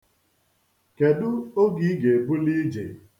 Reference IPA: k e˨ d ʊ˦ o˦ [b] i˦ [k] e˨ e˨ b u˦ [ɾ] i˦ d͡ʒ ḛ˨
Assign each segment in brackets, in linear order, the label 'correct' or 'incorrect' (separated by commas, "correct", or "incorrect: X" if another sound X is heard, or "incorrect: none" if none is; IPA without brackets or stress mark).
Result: incorrect: ɡ, incorrect: ɡ, incorrect: l